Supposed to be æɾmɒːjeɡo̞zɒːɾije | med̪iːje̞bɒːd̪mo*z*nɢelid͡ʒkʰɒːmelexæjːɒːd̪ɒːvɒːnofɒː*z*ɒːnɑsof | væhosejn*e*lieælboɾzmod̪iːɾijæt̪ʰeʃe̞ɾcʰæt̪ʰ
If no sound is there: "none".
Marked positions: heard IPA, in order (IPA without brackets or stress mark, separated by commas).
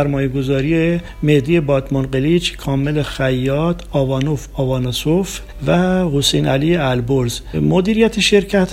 none, v, æ